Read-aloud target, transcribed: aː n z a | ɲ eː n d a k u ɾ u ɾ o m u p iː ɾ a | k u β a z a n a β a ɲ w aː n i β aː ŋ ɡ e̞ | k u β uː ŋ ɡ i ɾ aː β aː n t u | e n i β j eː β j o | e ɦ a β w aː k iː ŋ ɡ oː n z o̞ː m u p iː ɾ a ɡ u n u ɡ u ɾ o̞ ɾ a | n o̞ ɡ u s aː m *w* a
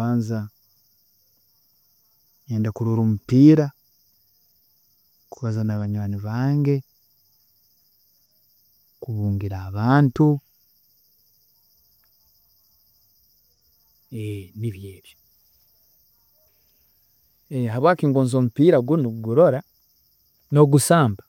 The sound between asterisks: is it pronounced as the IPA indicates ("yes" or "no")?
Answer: no